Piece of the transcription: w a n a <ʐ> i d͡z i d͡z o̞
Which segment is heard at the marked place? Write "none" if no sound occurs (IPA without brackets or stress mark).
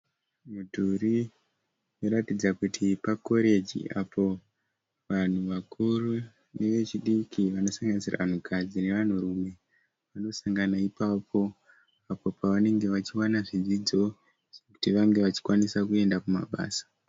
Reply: ʐ